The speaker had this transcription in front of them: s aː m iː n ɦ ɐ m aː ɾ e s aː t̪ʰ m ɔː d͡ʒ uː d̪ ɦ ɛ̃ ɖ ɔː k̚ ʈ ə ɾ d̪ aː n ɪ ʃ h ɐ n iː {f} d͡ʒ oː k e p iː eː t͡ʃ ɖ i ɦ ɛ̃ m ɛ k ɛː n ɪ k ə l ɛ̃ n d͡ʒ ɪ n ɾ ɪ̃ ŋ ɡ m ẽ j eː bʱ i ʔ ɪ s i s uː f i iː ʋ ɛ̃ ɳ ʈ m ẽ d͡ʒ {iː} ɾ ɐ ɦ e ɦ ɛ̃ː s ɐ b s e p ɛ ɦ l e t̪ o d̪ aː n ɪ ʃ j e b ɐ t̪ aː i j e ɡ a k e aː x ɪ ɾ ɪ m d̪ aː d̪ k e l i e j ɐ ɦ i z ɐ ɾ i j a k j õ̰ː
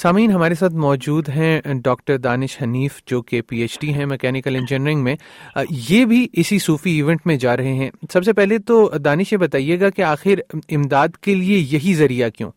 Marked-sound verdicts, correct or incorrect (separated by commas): correct, incorrect